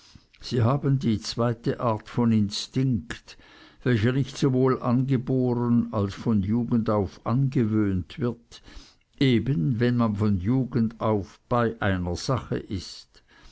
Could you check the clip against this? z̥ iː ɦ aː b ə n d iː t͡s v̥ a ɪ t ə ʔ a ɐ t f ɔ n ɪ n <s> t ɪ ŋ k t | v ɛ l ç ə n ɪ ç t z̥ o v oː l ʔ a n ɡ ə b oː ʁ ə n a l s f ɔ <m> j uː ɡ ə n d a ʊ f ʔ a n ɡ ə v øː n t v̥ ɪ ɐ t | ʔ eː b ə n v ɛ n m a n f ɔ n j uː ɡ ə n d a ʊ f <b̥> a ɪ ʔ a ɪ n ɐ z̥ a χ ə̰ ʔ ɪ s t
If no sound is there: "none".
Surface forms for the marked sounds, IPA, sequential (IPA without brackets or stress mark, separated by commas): s, n, b̥